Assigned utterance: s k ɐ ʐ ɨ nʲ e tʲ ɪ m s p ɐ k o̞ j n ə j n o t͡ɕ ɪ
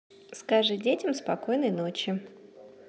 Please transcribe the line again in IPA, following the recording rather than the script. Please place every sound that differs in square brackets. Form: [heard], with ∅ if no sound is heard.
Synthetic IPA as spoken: s k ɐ ʐ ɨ [dʲ] e tʲ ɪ m s p ɐ k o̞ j n ə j n o t͡ɕ ɪ